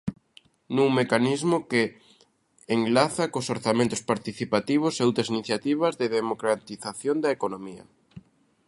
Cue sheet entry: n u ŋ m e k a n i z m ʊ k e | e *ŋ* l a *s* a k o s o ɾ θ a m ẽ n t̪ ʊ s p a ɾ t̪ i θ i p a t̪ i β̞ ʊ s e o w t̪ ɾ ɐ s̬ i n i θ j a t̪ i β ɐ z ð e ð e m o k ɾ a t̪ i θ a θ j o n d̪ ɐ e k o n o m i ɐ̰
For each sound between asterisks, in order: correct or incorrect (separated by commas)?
correct, incorrect